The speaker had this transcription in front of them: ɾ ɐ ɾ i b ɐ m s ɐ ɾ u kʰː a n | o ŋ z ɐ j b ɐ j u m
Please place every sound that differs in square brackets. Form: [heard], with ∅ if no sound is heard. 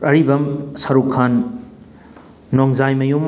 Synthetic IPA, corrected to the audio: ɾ ɐ ɾ i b ɐ m s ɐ ɾ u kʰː a n | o ŋ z [a] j [m] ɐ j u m